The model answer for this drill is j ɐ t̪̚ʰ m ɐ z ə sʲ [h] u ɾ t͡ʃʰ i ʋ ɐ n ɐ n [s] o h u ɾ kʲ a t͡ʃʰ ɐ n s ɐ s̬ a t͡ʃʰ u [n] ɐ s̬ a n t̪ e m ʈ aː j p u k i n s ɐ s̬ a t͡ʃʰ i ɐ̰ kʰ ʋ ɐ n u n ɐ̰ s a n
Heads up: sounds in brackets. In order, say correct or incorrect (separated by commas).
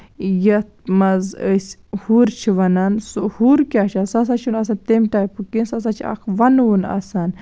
correct, correct, correct